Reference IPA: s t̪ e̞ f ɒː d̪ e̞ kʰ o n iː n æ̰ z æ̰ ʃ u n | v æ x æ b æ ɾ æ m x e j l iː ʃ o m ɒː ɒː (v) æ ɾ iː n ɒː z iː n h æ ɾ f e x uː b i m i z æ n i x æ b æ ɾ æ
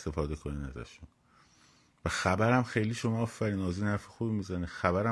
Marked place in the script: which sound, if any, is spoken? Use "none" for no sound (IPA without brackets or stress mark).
f